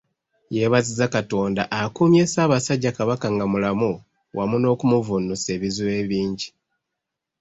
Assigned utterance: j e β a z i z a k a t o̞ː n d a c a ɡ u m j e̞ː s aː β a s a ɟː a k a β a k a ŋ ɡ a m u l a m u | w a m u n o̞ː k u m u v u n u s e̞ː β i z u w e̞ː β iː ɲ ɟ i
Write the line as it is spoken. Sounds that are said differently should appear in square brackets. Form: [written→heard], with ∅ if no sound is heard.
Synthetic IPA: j e β a z i z a k a t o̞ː n d a [c→ʔ] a [ɡ→k] u m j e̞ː s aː β a s a ɟː a k a β a k a ŋ ɡ a m u l a m u | w a m u n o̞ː k u m u v u n u s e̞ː β i z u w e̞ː β iː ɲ ɟ i